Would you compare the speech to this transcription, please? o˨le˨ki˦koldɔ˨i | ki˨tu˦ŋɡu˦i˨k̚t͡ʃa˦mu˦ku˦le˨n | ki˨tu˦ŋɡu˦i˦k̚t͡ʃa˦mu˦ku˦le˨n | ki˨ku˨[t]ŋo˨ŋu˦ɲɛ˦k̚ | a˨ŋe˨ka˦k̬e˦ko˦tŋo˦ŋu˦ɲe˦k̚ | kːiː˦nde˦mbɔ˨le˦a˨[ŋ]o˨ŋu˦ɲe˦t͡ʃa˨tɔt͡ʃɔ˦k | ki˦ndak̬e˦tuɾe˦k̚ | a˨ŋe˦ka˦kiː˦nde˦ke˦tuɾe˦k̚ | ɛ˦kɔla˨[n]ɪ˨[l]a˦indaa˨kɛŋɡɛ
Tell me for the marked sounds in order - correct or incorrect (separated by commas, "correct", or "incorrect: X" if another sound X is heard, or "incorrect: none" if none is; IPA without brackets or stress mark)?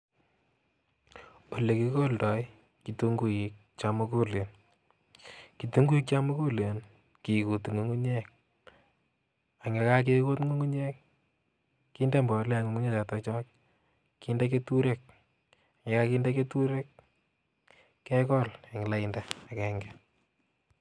correct, correct, incorrect: ŋ, correct